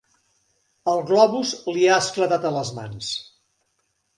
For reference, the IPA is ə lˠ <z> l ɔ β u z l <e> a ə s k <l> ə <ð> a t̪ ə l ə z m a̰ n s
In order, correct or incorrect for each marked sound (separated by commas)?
incorrect, incorrect, correct, correct